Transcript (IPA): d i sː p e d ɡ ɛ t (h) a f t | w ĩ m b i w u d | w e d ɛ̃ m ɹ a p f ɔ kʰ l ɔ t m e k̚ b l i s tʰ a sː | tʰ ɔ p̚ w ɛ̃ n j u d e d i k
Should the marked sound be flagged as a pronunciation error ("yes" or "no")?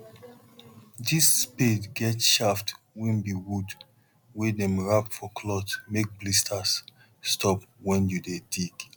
yes